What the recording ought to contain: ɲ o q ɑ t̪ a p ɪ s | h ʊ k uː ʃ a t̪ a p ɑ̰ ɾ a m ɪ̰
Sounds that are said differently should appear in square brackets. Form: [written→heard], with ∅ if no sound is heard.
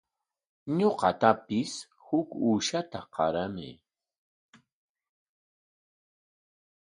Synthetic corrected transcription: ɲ o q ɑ t̪ a p ɪ s | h ʊ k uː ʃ a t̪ a [p→q] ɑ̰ ɾ a m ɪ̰

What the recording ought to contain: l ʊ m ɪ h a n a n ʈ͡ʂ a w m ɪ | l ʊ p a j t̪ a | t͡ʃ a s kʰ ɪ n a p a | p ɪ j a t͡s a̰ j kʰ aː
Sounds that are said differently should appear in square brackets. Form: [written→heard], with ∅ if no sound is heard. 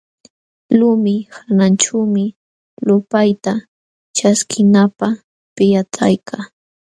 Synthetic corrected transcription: l ʊ m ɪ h a n a n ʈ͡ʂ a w m ɪ | l ʊ p a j t̪ a | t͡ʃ a s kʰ ɪ n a p a | p ɪ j a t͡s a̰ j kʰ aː

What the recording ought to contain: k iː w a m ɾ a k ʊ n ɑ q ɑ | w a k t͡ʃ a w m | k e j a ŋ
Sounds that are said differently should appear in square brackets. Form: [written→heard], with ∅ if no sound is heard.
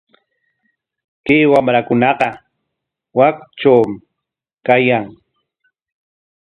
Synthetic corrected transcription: k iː w a m ɾ a k ʊ n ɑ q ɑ | w a k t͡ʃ a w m | k [e→a] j a ŋ

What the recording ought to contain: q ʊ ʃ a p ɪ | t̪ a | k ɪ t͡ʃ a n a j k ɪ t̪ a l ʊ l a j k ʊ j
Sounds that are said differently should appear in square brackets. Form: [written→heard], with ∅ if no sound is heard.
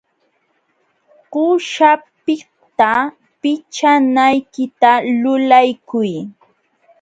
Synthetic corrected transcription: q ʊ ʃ a p ɪ | t̪ a | [k→p] ɪ t͡ʃ a n a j k ɪ t̪ a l ʊ l a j k ʊ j

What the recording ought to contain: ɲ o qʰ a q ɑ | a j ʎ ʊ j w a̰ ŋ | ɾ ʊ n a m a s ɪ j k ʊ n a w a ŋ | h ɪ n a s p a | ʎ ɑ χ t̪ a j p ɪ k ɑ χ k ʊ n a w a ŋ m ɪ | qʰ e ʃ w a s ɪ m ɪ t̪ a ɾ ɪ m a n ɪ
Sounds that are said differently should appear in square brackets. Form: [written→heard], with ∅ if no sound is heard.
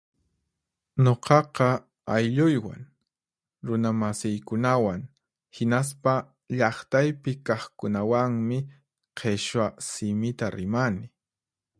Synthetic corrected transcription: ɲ o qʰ [a→ɑ] q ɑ | a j ʎ ʊ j w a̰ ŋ | ɾ ʊ n a m a s ɪ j k ʊ n a w a ŋ | h ɪ n a s p a | ʎ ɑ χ t̪ a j p ɪ k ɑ χ k ʊ n a w a ŋ m ɪ | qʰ e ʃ w a s ɪ m ɪ t̪ a ɾ ɪ m a n ɪ

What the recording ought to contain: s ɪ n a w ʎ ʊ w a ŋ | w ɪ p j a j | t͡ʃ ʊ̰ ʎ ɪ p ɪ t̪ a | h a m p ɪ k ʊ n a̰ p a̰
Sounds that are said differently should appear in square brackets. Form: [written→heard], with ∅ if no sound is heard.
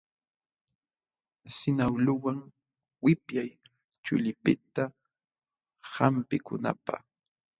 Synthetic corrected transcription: s ɪ n a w [ʎ→l] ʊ w a ŋ | w ɪ p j a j | t͡ʃ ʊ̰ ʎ ɪ p ɪ t̪ a | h a m p ɪ k ʊ n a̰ p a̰

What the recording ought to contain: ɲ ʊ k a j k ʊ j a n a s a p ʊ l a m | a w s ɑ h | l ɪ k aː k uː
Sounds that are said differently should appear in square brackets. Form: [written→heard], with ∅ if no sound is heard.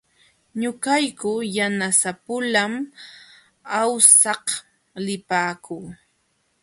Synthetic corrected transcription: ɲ ʊ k a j k ʊ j a n a s a p ʊ l a m | a w s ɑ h | l ɪ [k→p] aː k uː

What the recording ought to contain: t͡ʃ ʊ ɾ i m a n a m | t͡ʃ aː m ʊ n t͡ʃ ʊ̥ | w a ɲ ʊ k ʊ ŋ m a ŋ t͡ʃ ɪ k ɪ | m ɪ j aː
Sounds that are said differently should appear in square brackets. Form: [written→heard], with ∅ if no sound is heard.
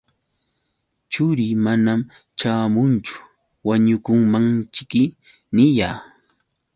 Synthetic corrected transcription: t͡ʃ ʊ ɾ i m a n a m | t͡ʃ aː m ʊ n t͡ʃ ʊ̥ | w a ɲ ʊ k ʊ ŋ m a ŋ t͡ʃ ɪ k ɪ | [m→n] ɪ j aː

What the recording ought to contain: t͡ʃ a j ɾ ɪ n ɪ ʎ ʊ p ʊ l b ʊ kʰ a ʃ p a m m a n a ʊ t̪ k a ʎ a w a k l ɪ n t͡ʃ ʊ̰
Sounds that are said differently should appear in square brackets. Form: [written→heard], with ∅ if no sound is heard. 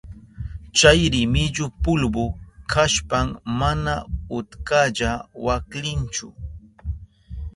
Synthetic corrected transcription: t͡ʃ a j ɾ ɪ [n→m] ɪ ʎ ʊ p ʊ l b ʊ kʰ a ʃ p a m m a n a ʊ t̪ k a ʎ a w a k l ɪ n t͡ʃ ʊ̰

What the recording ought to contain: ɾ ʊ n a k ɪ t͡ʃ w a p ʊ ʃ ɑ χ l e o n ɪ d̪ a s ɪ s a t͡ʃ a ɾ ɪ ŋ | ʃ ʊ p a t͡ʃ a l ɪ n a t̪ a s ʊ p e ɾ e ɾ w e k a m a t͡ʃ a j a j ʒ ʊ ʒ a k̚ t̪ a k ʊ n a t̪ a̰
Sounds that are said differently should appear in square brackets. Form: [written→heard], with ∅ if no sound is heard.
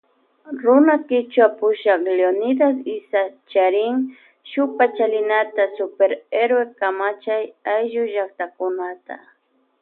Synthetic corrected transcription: ɾ ʊ n a k ɪ t͡ʃ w a p ʊ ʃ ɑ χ l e o n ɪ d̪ a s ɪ s a t͡ʃ a ɾ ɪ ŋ | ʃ ʊ p a t͡ʃ a l ɪ n a t̪ a s ʊ p e ɾ e ɾ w e k a m a t͡ʃ a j a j ʒ ʊ ʒ a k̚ t̪ a k ʊ n a t̪ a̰

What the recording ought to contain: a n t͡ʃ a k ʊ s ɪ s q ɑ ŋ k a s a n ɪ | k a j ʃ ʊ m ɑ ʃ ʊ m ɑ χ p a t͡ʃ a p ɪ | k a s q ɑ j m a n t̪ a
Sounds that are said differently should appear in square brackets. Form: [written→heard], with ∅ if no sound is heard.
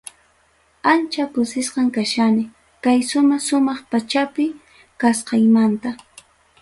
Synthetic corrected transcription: a n t͡ʃ a k ʊ s ɪ s q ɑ ŋ k a [s→ʃ] a n ɪ | k a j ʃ ʊ m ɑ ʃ ʊ m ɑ χ p a t͡ʃ a p ɪ | k a s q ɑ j m a n t̪ a

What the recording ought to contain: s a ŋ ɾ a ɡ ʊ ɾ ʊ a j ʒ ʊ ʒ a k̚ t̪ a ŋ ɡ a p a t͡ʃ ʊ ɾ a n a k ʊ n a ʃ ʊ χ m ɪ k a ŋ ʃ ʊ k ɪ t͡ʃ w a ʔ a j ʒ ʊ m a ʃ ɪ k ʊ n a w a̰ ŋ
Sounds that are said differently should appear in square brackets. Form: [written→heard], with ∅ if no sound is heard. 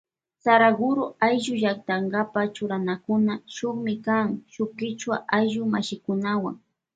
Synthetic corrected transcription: s a [ŋ→∅] ɾ a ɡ ʊ ɾ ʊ a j ʒ ʊ ʒ a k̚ t̪ a ŋ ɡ a p a t͡ʃ ʊ ɾ a n a k ʊ n a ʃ ʊ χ m ɪ k a ŋ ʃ ʊ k ɪ t͡ʃ w a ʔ a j ʒ ʊ m a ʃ ɪ k ʊ n a w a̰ ŋ

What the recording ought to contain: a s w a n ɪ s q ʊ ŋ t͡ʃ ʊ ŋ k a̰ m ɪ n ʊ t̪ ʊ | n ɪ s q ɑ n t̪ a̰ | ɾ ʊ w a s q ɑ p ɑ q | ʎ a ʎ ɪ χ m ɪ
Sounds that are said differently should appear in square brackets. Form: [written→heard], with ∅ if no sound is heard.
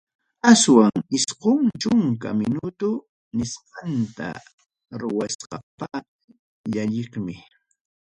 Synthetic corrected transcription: a s w a [n→ŋ] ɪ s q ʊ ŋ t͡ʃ ʊ ŋ k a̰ m ɪ n ʊ t̪ ʊ | n ɪ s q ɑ n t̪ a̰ | ɾ ʊ w a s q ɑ p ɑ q | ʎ a ʎ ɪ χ m ɪ

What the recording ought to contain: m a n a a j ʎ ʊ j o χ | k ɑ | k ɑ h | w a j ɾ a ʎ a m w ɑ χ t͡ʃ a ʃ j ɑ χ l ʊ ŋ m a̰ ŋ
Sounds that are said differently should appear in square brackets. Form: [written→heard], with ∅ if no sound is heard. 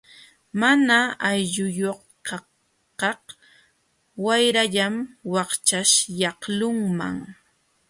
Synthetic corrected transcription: m a n a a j ʎ ʊ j o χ | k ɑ | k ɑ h | w a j ɾ a ʎ a m w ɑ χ t͡ʃ a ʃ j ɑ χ l ʊ ŋ m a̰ ŋ

